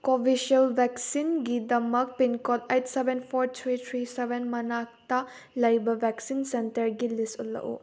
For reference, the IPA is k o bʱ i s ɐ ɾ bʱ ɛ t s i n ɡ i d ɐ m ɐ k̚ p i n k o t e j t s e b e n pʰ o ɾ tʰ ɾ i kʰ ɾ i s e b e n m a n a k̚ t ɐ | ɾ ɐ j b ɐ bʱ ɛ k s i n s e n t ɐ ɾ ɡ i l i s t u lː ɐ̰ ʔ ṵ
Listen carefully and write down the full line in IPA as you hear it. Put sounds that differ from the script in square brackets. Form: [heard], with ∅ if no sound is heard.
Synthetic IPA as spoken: k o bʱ i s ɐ [l] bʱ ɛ [k] s i n ɡ i d ɐ m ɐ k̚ p i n k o t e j t s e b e n pʰ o ɾ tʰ ɾ i [tʰ] ɾ i s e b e n m [ɐ] n a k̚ t ɐ | [l] ɐ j b ɐ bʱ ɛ k s i n s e n t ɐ ɾ ɡ i l i s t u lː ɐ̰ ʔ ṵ

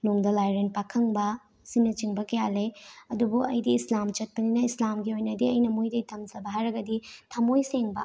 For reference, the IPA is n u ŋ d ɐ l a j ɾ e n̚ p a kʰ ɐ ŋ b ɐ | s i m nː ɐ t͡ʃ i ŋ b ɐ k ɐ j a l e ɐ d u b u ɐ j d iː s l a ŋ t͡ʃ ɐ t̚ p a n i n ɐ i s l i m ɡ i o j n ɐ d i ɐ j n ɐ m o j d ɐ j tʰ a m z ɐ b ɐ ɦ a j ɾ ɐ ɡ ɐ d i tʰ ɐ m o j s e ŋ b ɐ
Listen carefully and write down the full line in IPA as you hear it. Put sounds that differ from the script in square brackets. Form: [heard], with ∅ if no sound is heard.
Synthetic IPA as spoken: n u ŋ d ɐ l a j ɾ e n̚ p a kʰ ɐ ŋ b ɐ | s i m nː ɐ t͡ʃ i ŋ b ɐ k ɐ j a l e ɐ d u b u ɐ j d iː s l a [m] t͡ʃ ɐ t̚ p [ɐ] n i n ɐ i s l [a] m ɡ i o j n ɐ d i ɐ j n ɐ m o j d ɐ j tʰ [ɐ] m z ɐ b ɐ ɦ a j ɾ ɐ ɡ ɐ d i tʰ ɐ m o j s e ŋ b ɐ

